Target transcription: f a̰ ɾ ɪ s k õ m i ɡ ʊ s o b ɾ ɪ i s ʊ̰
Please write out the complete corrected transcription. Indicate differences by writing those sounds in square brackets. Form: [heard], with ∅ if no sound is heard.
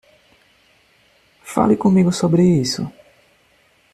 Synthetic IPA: f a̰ [l] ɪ [∅] k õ m i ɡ ʊ s o b ɾ ɪ i s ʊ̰